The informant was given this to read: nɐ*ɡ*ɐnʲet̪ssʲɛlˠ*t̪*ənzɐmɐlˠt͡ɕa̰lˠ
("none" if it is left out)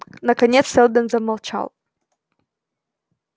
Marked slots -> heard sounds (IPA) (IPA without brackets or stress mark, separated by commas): k, d̪